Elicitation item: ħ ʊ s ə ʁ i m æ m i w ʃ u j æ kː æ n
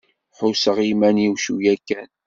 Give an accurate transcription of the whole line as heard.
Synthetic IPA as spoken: ħ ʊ s ə ʁ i m æ n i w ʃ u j æ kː æ n

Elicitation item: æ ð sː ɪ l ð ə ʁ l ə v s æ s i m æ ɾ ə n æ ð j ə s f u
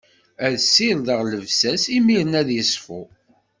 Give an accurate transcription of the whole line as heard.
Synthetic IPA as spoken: æ ð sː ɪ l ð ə ʁ l ə v s æ s i m i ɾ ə n æ ð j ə s f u

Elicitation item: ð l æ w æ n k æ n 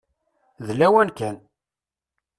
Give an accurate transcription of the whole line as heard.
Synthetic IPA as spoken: ð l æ w æ n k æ n

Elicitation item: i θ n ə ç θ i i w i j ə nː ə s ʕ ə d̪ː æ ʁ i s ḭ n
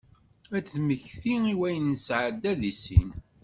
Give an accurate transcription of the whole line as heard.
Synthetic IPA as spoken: æ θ m ə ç θ i i w æ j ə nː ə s ʕ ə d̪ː æ ð i s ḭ n

